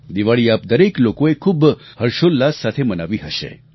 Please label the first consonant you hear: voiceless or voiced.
voiced